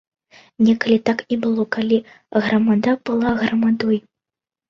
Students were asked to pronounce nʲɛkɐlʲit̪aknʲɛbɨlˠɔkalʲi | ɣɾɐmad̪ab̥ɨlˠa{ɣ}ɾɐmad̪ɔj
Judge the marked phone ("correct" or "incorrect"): correct